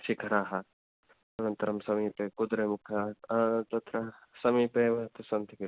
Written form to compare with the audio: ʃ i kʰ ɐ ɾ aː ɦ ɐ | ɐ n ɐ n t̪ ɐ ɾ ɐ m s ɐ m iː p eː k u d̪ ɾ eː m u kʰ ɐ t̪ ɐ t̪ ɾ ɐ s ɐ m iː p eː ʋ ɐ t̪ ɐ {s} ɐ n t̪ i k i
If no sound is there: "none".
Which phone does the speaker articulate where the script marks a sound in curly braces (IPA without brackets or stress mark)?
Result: s